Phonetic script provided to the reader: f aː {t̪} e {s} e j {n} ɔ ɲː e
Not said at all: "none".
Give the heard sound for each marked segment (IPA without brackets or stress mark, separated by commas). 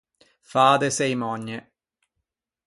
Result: d̪, s, m